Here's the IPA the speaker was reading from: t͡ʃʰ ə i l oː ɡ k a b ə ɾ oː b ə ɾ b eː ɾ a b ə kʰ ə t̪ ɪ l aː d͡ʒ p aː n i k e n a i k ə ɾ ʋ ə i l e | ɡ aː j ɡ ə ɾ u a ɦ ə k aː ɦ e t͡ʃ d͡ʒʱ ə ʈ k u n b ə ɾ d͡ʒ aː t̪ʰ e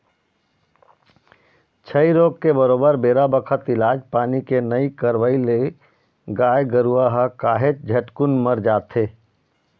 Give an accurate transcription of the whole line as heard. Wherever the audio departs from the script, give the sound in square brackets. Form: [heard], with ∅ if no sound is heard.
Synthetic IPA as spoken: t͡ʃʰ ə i [ɾ] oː ɡ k [e] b ə ɾ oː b ə ɾ b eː ɾ a b ə kʰ ə t̪ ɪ l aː d͡ʒ p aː n i k e n [ə] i k ə ɾ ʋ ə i l e | ɡ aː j ɡ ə ɾ u a ɦ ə k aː ɦ e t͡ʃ d͡ʒʱ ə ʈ k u n [m] ə ɾ d͡ʒ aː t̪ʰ e